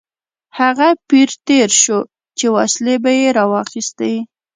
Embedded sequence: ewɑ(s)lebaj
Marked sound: correct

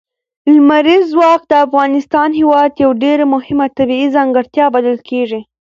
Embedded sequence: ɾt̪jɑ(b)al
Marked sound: correct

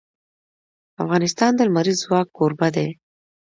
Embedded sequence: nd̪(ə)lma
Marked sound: correct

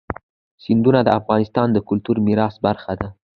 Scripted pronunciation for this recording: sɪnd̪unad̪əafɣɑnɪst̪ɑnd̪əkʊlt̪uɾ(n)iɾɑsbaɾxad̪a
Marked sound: incorrect: m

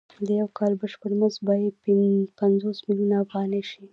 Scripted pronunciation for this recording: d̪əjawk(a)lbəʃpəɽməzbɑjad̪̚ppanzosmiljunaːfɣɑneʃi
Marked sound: incorrect: ɑ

